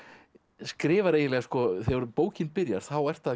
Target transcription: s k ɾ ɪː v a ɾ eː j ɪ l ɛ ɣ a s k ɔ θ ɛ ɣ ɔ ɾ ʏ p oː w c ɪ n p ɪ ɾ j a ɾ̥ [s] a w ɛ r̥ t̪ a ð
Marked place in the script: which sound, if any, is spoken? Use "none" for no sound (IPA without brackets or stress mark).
θ